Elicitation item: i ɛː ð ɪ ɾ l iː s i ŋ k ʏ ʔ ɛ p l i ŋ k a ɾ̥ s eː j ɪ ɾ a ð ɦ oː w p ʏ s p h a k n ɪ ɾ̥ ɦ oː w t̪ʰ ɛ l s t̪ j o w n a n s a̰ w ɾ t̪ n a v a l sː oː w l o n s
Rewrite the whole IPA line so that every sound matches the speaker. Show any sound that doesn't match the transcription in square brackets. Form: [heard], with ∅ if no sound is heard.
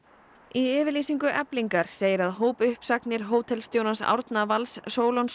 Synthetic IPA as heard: i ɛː [v] ɪ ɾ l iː s i ŋ k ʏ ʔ ɛ p l i ŋ k a ɾ̥ s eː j ɪ ɾ a ð ɦ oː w p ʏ [h] p [s] a k n ɪ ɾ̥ ɦ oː w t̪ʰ ɛ l s t̪ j o w n a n s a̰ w ɾ t̪ n a v a l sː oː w l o n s